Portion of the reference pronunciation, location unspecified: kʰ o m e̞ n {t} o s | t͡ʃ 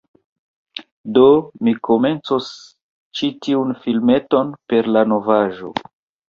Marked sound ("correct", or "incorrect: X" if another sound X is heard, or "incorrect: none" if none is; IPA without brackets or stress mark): incorrect: t͡s